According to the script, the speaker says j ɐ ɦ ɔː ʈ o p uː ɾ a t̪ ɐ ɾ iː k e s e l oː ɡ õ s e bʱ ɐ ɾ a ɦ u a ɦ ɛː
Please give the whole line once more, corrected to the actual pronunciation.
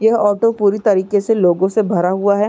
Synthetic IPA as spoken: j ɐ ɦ ɔː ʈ o p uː ɾ i t̪ ɐ ɾ iː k e s e l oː ɡ õ s e bʱ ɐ ɾ a ɦ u a ɦ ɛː

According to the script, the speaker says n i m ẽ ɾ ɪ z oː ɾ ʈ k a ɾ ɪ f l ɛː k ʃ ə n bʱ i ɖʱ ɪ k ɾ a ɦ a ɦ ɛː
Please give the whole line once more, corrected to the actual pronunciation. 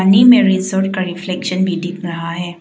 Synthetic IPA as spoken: n i m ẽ ɾ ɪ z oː ɾ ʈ k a ɾ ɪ f l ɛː k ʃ ə n bʱ i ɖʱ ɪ k ɾ ɐ ɦ a ɦ ɛː

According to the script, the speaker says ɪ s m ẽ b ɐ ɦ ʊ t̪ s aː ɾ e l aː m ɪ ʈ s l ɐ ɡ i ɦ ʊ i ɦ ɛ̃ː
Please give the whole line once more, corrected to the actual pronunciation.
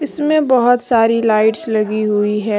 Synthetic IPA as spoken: ɪ s m ẽ b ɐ ɦ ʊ t̪ s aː ɾ i l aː ɪ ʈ s l ɐ ɡ i ɦ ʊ i ɦ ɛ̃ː

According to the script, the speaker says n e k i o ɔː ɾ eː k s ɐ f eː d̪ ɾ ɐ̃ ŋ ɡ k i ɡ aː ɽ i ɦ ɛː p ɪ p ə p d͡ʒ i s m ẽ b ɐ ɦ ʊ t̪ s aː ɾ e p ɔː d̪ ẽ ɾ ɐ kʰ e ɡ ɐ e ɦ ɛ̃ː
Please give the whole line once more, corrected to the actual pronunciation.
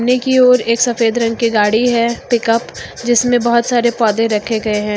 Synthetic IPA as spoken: n e k i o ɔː ɾ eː k s ɐ f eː d̪ ɾ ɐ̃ ŋ ɡ k i ɡ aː ɽ i ɦ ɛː p ɪ k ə p d͡ʒ ɪ s m ẽ b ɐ ɦ ʊ t̪ s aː ɾ e p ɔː d̪ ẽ ɾ ɐ kʰ e ɡ ɐ e ɦ ɛ̃ː

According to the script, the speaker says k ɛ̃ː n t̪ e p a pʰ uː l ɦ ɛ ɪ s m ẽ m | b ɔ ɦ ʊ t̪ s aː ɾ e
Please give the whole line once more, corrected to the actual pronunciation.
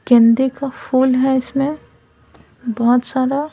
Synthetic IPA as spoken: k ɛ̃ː n d̪ e k a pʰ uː l ɦ ɛ ɪ s m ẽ | b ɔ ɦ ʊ t̪ s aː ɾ a

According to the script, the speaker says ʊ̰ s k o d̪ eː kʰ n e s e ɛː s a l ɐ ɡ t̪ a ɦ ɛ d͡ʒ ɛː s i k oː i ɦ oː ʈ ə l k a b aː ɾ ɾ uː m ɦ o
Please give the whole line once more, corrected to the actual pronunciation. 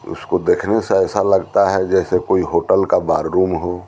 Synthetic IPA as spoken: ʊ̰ s k o d̪ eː kʰ n e s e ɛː s a l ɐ ɡ t̪ a ɦ ɛ d͡ʒ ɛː s e k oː i ɦ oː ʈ ə l k a b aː ɾ ɾ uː m ɦ o

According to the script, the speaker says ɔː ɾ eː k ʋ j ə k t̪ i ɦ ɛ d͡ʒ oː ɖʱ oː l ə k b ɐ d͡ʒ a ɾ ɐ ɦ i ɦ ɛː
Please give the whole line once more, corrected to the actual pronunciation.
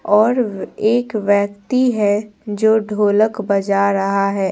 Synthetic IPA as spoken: ɔː ɾ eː k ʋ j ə k t̪ i ɦ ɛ d͡ʒ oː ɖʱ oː l ə k b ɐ d͡ʒ a ɾ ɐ ɦ a ɦ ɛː

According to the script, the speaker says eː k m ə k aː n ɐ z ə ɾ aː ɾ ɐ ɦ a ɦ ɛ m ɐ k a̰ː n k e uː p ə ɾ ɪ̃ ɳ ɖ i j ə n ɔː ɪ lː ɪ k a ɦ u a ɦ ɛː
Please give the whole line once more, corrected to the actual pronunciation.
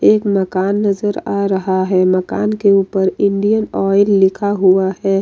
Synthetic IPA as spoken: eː k m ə k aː nː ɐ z ə ɾ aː ɾ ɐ ɦ a ɦ ɛ m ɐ k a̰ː n k e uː p ə ɾ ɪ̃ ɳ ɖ i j ə n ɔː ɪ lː ɪ kʰ a ɦ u a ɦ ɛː

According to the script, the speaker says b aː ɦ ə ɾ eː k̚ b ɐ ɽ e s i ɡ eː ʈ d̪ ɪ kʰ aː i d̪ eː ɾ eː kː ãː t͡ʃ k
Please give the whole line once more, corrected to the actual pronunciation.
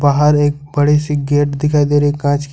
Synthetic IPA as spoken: b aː ɦ ə ɾ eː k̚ b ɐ ɽ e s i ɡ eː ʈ d̪ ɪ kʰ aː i d̪ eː ɾ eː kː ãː t͡ʃ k

